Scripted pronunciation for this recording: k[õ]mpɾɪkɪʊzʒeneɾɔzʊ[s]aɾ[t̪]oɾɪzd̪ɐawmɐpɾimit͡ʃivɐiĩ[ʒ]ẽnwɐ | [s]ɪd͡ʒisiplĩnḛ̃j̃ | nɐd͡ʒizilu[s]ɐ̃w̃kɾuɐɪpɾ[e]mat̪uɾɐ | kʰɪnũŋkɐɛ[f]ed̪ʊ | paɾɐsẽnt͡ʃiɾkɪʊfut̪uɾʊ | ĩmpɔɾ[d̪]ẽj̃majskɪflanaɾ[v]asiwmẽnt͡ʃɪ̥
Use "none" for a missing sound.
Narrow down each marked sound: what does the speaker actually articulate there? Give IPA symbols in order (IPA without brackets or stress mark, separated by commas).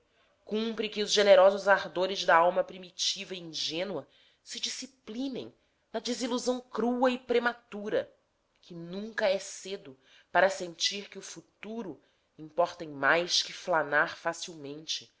ũ, z, d̪, ʒ, s, z, e, s, t̪, f